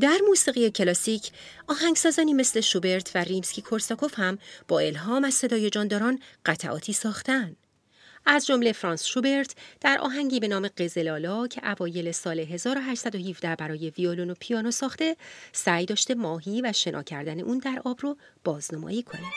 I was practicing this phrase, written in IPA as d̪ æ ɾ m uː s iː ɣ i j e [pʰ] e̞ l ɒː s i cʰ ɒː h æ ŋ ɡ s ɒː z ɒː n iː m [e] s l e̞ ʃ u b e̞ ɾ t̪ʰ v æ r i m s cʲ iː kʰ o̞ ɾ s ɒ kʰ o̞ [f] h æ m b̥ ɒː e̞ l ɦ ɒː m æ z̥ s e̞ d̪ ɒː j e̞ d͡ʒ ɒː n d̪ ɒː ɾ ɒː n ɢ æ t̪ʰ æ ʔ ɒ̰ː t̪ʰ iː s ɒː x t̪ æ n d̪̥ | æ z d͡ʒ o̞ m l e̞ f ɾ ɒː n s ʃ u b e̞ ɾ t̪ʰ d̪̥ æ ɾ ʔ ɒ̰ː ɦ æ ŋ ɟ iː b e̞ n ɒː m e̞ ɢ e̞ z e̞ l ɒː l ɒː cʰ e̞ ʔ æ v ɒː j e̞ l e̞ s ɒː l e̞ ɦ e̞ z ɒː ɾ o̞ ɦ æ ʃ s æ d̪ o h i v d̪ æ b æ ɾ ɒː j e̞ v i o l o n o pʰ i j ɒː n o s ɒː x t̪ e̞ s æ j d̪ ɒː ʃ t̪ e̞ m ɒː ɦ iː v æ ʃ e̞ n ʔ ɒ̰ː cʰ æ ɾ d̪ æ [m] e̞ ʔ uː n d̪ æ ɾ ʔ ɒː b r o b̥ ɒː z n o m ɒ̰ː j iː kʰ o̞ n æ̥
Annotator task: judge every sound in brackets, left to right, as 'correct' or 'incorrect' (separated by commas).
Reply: incorrect, correct, correct, incorrect